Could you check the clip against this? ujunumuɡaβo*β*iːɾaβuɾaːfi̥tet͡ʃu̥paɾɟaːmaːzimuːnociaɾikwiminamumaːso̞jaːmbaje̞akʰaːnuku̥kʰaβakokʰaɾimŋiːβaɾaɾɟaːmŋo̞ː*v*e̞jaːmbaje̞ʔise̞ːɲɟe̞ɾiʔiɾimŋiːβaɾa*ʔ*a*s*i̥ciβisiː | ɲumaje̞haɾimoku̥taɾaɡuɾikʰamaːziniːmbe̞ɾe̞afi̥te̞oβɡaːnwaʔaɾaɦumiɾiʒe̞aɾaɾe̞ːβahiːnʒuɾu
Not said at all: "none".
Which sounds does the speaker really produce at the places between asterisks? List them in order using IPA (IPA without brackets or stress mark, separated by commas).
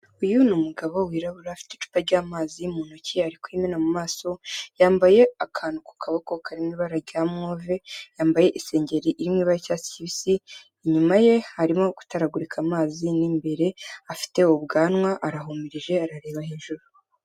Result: w, v, c, s